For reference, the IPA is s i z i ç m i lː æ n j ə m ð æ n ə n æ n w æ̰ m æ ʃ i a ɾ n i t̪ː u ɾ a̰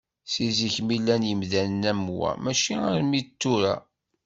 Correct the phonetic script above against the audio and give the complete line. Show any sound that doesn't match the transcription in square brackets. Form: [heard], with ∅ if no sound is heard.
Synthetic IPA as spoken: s i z i ç m i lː æ n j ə m ð æ n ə n æ [m] w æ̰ m æ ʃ i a ɾ [m] i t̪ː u ɾ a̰